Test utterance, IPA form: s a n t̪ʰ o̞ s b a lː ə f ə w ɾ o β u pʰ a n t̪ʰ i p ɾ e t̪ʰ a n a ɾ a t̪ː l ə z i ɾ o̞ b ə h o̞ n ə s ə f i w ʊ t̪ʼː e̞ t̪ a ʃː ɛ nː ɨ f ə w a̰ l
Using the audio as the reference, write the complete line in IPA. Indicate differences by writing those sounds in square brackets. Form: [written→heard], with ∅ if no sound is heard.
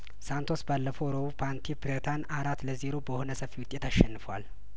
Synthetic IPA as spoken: s a n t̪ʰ o̞ s b a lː ə f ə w ɾ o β u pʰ a n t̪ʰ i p ɾ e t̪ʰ a n a ɾ a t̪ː l ə z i ɾ o̞ b ə h o̞ n ə s ə f i w ʊ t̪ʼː e̞ t̪ a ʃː ɛ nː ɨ f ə w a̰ l